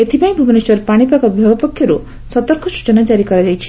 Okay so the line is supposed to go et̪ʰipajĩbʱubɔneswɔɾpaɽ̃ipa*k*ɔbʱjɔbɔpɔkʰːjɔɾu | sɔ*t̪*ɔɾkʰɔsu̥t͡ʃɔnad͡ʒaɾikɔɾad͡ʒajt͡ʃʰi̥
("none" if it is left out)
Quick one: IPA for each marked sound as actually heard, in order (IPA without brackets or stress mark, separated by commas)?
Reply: k, t̪